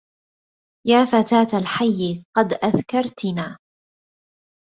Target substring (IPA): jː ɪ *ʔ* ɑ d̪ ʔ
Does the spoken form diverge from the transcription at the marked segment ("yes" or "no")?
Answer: yes